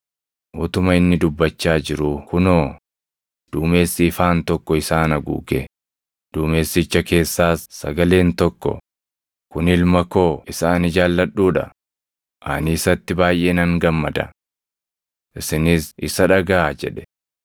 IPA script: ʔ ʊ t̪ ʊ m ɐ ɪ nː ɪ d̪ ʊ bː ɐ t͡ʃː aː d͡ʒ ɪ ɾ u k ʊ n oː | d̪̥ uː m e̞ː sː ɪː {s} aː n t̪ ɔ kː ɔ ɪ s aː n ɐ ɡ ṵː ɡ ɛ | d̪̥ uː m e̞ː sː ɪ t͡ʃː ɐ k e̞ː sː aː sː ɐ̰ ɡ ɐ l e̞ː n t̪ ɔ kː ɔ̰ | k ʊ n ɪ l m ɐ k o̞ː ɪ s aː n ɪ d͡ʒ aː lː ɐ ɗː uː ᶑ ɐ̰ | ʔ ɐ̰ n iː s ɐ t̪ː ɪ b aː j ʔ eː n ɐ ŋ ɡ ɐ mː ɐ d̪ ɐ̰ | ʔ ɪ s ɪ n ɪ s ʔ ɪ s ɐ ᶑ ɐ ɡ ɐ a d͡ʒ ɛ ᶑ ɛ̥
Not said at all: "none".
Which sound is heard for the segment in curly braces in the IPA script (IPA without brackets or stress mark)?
f